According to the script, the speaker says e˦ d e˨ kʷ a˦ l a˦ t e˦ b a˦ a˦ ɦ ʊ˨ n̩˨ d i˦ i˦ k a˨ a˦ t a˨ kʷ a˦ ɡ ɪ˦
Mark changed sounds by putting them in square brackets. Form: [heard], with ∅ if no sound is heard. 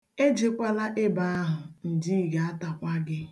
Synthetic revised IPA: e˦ [d͡ʒ] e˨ kʷ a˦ l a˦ [ʔ] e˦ b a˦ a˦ ɦ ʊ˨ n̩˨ d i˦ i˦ [ɡ] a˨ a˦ t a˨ kʷ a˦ ɡ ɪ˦